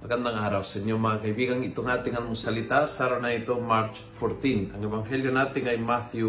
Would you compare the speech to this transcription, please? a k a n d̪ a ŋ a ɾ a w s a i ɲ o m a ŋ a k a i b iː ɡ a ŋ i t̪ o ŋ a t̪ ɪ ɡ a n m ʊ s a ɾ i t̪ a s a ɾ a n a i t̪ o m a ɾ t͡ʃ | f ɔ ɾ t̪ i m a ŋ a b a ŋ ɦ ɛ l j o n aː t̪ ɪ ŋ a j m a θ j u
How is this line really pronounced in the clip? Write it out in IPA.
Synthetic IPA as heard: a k a n d̪ a ŋ a ɾ a w s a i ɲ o m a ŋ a k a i b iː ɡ a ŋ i t̪ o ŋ a t̪ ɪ ŋ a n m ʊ s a l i t̪ a s a ɾ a n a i t̪ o m a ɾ t͡ʃ | f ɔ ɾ t̪ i n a ŋ ɛ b a ŋ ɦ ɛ l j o n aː t̪ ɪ ŋ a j m a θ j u